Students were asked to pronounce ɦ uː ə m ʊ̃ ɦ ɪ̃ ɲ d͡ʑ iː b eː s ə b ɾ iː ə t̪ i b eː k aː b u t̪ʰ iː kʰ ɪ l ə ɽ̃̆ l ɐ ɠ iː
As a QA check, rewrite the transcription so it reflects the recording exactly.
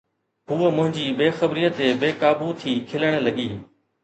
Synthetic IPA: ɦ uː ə m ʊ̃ ɦ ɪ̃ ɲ d͡ʑ iː b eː x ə b ɾ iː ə t̪ e b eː k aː b u t̪ʰ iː kʰ ɪ l ə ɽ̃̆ l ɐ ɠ iː